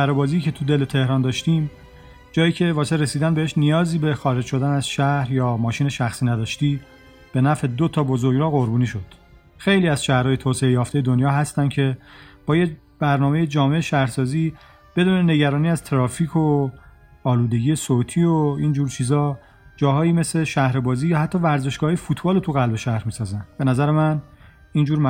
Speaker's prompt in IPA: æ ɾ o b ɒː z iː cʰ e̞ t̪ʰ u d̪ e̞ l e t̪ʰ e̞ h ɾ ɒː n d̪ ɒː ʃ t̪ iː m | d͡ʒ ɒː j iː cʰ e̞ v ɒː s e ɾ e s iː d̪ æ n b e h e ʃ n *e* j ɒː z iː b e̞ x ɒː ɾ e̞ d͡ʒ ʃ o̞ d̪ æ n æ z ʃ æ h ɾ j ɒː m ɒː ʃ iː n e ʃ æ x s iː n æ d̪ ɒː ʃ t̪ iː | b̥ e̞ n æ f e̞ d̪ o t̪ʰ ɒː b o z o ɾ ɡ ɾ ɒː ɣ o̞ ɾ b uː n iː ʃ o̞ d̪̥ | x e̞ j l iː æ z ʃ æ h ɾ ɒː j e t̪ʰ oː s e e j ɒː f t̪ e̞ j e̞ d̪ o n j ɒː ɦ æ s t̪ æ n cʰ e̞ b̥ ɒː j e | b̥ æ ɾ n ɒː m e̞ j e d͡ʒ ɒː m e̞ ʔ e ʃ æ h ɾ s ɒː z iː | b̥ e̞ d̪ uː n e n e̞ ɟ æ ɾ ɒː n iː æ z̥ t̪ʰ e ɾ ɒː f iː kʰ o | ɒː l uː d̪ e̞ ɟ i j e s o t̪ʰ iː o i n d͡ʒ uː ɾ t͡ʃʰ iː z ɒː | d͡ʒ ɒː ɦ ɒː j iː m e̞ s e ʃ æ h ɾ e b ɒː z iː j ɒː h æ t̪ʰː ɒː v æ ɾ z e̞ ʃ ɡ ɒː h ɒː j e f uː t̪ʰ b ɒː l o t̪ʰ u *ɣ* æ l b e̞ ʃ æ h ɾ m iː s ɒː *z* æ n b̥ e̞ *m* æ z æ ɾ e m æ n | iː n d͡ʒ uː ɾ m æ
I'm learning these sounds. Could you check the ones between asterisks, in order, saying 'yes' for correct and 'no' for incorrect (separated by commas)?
no, yes, yes, no